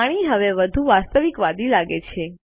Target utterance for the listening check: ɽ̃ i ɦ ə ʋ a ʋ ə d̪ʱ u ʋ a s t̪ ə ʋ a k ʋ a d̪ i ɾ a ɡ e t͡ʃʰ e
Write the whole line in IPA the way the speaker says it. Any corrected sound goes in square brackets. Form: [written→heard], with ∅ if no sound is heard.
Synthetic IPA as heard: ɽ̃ i ɦ ə ʋ [a→e] ʋ ə d̪ʱ u ʋ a s t̪ ə ʋ [a→i] k ʋ a d̪ i [ɾ→l] a ɡ e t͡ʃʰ e